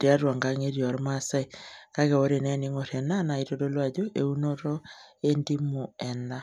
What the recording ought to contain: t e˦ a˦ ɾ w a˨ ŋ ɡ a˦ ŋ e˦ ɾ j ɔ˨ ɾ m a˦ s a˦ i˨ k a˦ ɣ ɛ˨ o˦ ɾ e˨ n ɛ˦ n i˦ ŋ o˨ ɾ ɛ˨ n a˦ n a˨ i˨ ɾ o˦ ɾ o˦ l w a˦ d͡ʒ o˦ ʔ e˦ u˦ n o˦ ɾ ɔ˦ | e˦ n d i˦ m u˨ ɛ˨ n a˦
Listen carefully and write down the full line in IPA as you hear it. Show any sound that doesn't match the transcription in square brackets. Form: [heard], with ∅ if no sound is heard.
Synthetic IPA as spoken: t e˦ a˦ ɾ w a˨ ŋ ɡ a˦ ŋ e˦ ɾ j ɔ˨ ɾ m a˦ s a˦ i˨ k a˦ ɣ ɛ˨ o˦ ɾ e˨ n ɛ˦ n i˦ ŋ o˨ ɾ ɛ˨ n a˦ n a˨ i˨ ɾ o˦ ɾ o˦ l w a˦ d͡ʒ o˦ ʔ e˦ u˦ n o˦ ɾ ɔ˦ | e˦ n d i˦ m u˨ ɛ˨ n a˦